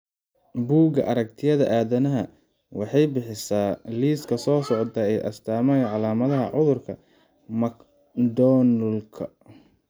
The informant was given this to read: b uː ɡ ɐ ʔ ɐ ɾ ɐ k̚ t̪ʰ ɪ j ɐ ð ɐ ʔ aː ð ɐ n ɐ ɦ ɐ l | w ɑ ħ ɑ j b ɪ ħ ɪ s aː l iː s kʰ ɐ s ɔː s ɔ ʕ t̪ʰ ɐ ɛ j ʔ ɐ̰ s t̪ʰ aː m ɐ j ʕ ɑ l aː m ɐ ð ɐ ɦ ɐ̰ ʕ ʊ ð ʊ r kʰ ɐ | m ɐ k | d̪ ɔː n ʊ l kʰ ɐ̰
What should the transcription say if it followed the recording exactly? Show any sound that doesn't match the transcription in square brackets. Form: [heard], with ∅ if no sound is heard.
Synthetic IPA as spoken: b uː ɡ ɐ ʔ ɐ ɾ ɐ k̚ t̪ʰ ɪ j ɐ ð ɐ ʔ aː ð ɐ n ɐ ɦ ɐ [∅] | w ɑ ħ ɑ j b ɪ ħ ɪ s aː l iː s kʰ ɐ s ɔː s ɔ ʕ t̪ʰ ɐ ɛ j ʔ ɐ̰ s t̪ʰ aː m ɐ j ʕ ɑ l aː m ɐ ð ɐ ɦ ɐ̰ ʕ ʊ ð ʊ r kʰ ɐ | m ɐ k | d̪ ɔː n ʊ l kʰ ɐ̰